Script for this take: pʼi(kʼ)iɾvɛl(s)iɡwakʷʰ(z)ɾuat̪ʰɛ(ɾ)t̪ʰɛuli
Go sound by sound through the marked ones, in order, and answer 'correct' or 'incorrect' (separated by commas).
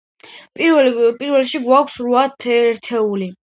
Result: incorrect, incorrect, incorrect, correct